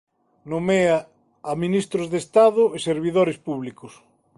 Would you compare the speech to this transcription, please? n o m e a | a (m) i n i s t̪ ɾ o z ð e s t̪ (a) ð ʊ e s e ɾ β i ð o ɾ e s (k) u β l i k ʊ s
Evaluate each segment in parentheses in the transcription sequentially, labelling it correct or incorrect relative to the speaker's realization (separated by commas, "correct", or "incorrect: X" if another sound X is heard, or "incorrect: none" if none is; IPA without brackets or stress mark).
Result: correct, correct, incorrect: p